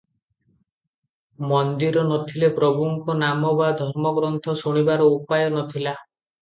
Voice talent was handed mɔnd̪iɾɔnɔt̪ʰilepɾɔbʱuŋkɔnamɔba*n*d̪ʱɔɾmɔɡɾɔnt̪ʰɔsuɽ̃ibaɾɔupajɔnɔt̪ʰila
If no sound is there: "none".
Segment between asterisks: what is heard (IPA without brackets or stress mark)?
none